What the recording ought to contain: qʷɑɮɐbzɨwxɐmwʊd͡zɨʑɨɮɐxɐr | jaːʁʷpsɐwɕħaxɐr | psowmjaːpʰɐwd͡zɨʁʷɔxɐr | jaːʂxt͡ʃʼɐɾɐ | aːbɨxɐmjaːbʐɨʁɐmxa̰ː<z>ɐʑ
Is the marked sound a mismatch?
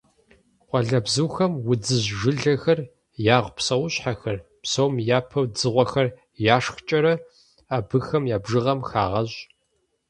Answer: yes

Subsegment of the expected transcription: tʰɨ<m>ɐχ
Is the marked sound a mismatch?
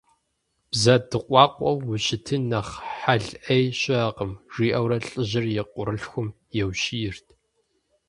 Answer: yes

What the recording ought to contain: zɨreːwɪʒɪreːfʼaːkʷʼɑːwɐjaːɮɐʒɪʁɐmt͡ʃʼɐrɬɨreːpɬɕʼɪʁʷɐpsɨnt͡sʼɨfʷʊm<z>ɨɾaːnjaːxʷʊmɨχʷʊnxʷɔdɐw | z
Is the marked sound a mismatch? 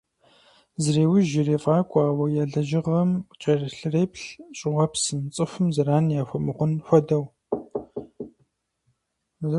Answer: no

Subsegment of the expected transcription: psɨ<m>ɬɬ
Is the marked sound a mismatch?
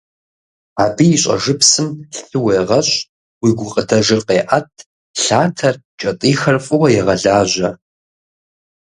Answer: no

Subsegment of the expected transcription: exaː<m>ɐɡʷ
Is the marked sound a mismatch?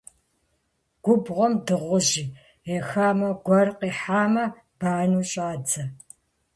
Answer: no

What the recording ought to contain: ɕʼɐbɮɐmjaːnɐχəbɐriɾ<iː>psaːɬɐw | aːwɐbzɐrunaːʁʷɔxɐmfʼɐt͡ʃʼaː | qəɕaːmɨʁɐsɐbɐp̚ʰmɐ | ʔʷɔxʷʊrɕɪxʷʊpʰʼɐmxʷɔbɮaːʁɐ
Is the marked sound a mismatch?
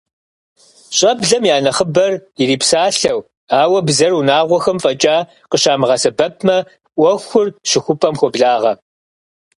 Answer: no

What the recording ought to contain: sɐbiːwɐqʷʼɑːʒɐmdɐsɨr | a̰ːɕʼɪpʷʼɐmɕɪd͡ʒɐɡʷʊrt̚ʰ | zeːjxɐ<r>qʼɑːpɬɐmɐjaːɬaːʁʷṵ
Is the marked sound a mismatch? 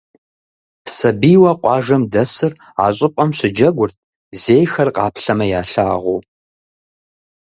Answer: no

